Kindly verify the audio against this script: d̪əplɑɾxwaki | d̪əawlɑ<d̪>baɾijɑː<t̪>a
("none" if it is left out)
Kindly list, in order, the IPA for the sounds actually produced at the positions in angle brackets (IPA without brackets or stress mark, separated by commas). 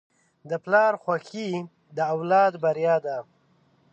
d̪, d̪